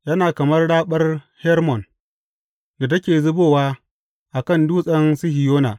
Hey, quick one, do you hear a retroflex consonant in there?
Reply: yes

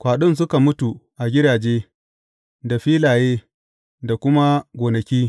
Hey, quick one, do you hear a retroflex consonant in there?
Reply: no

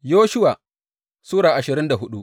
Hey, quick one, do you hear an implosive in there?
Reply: yes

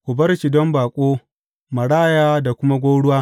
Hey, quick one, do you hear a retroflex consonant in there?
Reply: yes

